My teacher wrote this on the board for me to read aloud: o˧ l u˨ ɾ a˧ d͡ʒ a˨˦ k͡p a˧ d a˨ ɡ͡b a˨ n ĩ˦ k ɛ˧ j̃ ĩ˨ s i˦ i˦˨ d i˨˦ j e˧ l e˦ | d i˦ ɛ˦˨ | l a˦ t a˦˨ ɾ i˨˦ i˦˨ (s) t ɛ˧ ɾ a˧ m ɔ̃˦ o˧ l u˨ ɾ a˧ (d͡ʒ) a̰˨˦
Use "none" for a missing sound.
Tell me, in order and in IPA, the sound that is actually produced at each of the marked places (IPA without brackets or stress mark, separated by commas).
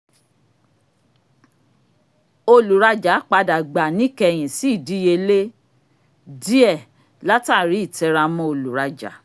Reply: none, d͡ʒ